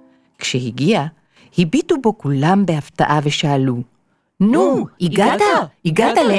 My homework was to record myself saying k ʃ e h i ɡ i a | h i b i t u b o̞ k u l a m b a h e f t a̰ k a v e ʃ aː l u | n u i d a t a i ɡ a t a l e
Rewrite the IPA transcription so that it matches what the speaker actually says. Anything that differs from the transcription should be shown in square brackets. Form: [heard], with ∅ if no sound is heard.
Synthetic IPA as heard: k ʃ e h i ɡ i a | h i b i t u b o̞ k u l a m b [e] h [a] f t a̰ [ʔ] a v e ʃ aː l u | n u i [ɡ] a t a i ɡ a t a l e